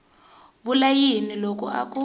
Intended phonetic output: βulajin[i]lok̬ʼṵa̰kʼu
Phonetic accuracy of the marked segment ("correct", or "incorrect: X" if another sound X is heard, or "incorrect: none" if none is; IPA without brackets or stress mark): correct